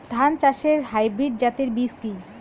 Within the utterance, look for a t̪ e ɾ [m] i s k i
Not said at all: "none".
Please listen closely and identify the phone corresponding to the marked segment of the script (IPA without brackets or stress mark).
b